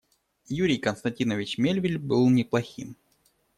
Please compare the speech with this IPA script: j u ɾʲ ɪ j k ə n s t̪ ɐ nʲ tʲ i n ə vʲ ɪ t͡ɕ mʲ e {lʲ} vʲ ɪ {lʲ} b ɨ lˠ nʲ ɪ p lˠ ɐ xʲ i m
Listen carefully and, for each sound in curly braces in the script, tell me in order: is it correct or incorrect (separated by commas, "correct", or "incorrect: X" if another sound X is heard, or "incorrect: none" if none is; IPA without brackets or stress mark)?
correct, correct